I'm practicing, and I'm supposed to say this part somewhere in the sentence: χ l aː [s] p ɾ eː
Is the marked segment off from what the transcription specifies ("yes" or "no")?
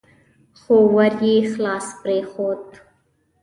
no